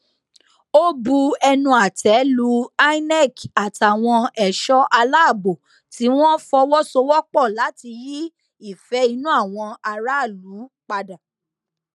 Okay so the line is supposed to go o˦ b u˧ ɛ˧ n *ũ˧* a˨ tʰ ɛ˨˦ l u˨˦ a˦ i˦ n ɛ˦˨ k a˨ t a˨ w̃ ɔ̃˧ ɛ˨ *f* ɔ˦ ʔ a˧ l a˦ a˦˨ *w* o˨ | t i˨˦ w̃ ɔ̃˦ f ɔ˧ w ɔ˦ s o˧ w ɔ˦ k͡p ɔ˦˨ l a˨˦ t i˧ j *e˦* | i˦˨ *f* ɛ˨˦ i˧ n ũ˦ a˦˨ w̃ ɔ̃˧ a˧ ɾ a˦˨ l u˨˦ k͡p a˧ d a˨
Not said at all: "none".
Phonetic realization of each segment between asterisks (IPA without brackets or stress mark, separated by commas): ũ˧, ʃ, b, i˦, f